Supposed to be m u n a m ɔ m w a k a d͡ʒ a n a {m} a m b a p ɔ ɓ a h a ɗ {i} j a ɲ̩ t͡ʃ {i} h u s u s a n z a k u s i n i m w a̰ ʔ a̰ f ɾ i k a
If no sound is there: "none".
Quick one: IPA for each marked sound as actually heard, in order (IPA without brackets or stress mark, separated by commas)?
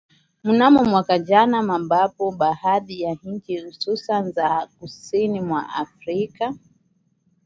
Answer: m, i, i